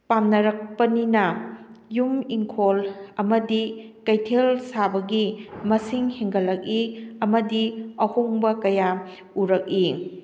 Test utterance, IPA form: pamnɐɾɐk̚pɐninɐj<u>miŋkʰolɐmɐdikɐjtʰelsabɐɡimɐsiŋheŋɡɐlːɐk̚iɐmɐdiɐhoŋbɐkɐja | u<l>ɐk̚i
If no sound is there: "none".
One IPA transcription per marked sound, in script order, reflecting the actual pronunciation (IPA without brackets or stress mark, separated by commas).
u, ɾ